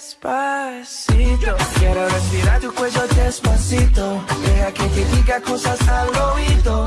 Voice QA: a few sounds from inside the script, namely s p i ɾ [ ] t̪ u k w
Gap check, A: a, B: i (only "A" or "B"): A